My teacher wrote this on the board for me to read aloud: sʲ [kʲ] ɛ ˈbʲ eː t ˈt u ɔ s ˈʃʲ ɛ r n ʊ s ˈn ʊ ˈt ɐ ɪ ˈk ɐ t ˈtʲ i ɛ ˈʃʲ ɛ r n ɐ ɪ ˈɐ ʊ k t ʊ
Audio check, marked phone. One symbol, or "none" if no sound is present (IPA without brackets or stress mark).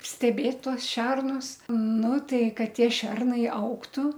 tʲ